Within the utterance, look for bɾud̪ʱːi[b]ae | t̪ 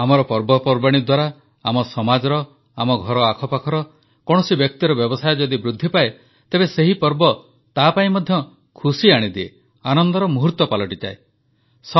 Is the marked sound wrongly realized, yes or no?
yes